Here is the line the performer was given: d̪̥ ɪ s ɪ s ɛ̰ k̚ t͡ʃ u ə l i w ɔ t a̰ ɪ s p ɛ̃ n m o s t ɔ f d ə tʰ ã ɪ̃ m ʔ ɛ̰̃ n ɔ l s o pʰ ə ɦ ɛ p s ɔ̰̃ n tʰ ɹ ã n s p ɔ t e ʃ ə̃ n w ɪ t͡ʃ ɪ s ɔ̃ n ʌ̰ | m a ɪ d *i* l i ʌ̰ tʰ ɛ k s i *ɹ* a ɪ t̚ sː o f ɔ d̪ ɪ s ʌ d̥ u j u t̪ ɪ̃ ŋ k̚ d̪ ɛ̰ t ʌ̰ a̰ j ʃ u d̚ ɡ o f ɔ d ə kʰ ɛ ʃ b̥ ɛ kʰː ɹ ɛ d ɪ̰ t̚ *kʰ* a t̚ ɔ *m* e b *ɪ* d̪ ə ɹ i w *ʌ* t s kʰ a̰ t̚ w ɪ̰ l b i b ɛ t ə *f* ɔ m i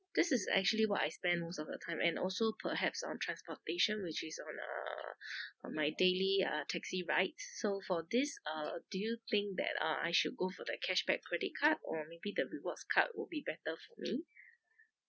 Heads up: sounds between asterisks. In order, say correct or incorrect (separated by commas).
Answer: incorrect, correct, correct, correct, incorrect, incorrect, correct